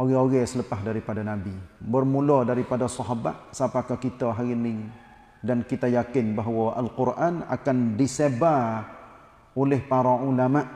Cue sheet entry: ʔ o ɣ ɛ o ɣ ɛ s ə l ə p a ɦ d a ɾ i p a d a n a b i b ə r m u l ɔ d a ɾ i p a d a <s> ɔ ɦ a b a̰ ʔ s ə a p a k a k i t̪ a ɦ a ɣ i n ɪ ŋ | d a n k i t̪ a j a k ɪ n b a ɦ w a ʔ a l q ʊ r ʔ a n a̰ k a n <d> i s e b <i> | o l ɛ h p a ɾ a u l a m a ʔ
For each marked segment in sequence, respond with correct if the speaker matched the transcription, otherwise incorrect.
correct, correct, incorrect: a

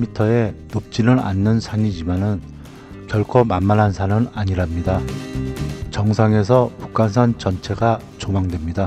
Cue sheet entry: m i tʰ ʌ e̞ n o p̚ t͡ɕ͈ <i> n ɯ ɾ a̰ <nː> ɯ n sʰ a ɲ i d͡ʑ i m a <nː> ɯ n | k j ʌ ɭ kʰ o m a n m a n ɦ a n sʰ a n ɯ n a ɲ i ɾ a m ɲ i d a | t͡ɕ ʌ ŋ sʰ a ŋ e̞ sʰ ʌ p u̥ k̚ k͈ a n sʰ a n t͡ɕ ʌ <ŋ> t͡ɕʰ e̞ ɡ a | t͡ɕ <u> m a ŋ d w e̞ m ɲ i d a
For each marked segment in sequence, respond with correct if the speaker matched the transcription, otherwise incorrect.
correct, correct, incorrect: n, incorrect: n, incorrect: o

